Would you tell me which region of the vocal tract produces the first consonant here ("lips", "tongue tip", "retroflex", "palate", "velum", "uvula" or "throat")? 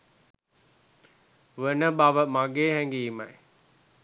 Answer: lips